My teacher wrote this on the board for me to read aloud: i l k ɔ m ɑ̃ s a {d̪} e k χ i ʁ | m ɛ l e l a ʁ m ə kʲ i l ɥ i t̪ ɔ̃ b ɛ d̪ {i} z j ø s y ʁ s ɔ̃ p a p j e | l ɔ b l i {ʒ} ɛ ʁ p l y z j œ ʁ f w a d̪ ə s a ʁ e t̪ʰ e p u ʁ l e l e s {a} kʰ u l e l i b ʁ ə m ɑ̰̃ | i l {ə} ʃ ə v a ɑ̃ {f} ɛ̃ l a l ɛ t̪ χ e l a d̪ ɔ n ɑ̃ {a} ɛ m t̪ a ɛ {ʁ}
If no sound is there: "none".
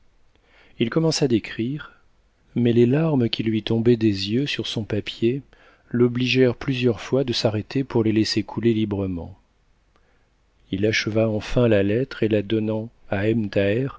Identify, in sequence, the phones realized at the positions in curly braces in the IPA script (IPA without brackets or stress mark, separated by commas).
d̪, e, ʒ, e, a, f, a, ʁ